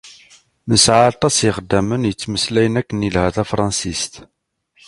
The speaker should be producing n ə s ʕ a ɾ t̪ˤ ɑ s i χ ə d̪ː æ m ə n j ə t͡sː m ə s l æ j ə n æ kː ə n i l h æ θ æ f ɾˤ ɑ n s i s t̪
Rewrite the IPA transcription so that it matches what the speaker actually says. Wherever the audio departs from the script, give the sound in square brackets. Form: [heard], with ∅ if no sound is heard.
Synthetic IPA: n ə s ʕ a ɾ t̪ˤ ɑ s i χ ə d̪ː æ m ə n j ə t͡sː m ə s l æ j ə n æ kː ə n i l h æ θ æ f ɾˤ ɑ n s i s t̪